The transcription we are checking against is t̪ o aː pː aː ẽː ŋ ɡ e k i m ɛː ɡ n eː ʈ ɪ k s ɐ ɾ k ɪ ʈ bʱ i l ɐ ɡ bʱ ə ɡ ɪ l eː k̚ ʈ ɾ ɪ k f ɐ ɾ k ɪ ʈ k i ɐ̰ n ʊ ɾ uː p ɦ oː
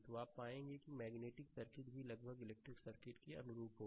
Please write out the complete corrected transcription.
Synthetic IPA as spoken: t̪ o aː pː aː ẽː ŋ ɡ e k i m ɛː ɡ n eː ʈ ɪ k s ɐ ɾ k ɪ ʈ bʱ i l ɐ ɡ bʱ ə ɡ ɪ l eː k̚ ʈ ɾ ɪ k s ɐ ɾ k ɪ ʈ k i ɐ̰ n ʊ ɾ uː p ɦ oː